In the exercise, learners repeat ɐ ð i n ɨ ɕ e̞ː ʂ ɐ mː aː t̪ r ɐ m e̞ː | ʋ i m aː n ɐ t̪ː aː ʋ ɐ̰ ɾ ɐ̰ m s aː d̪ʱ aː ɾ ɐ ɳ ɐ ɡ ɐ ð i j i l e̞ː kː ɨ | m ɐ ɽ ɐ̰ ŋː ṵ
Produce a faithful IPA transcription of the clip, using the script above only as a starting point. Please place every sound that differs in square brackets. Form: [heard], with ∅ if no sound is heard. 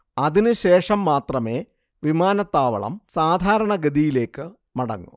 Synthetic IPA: ɐ ð i n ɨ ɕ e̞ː ʂ ɐ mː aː t̪ r ɐ m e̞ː | ʋ i m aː n ɐ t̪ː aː ʋ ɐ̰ [ɭ] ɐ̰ m s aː d̪ʱ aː ɾ ɐ ɳ ɐ ɡ ɐ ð i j i l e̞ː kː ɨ | m ɐ ɽ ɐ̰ ŋː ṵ